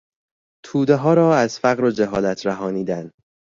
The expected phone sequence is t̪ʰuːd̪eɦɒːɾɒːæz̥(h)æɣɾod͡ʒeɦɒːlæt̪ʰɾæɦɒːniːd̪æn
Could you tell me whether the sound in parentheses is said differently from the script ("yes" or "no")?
yes